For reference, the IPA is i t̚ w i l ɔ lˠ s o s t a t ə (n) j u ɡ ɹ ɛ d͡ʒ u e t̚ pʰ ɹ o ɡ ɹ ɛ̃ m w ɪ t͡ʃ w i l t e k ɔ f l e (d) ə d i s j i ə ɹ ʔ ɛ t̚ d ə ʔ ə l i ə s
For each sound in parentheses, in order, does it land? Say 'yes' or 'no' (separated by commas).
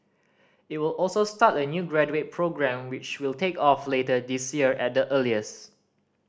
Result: yes, no